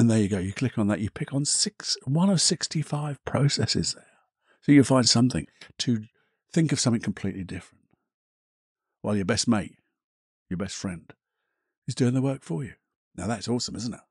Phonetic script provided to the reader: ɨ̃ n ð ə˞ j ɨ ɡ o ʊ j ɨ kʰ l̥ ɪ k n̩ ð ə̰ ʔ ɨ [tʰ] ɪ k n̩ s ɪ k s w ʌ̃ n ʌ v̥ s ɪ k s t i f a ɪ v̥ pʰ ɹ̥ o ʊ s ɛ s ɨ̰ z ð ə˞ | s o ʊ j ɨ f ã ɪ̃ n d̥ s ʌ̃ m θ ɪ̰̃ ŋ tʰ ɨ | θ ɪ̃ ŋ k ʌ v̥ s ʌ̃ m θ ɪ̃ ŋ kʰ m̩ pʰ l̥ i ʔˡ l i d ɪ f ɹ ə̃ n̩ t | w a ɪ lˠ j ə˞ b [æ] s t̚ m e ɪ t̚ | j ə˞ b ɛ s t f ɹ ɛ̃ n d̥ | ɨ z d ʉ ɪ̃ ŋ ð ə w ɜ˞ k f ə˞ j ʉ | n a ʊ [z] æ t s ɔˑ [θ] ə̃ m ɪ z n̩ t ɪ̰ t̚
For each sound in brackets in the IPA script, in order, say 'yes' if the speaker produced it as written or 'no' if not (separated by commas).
no, no, no, no